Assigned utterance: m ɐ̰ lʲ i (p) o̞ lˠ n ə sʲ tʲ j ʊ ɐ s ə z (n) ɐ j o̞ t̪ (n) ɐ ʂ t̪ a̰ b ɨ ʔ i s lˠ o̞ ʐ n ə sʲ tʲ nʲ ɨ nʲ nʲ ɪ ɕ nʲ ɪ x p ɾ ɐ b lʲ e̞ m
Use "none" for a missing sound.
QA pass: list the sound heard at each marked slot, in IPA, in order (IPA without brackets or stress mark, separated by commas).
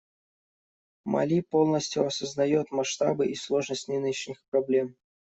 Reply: p, n, m